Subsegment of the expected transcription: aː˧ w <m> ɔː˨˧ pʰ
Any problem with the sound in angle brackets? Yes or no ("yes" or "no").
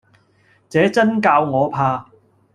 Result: yes